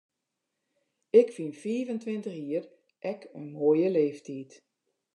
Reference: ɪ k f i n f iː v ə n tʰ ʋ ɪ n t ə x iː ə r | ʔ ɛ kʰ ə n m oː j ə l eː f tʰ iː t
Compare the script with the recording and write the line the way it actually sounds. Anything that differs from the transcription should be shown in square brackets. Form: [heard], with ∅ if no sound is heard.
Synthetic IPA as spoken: ɪ k f i n f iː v ə n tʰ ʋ ɪ n t ə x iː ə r | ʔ ɛ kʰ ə n m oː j ə l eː f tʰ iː t